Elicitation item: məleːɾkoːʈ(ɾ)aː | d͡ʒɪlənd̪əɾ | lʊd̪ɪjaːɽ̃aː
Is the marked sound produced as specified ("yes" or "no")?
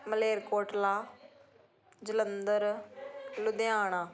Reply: no